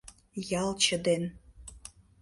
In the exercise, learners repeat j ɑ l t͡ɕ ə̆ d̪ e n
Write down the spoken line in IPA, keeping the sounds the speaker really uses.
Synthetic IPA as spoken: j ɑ l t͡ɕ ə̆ d̪ e n